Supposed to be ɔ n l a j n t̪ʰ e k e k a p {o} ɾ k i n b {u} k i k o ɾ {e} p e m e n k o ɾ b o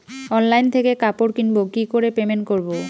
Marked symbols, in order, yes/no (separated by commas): yes, no, yes